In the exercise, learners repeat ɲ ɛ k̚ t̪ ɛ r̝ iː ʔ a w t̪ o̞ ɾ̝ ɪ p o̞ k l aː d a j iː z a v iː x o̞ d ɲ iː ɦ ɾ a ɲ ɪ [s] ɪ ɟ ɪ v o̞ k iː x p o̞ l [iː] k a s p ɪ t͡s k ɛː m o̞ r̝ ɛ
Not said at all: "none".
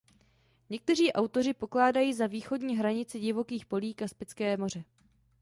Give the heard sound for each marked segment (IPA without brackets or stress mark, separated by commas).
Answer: t͡s, iː